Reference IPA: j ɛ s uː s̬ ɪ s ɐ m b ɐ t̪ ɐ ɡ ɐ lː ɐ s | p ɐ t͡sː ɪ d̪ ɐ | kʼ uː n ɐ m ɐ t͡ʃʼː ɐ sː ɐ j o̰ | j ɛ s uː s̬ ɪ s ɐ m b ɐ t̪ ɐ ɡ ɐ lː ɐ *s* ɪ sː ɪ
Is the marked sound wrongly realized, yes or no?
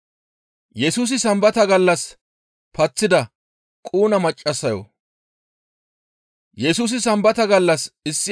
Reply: no